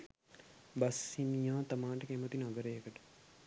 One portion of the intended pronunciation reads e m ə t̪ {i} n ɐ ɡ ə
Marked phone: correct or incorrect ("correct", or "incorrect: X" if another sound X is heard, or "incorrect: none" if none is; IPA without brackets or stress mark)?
correct